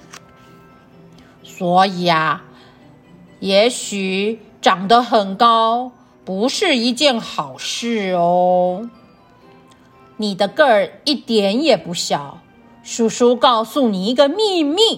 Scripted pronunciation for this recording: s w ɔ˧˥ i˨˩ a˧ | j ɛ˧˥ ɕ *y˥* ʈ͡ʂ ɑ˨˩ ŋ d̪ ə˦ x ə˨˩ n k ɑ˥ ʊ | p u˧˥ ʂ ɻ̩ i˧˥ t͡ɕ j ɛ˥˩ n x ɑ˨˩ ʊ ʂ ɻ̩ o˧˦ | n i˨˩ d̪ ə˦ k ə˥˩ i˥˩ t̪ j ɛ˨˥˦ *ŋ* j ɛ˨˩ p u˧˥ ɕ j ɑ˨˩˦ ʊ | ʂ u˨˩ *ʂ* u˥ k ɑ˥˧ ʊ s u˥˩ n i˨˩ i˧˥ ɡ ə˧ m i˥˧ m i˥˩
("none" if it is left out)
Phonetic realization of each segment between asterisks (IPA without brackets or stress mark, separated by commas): y˨˩, n, ʂ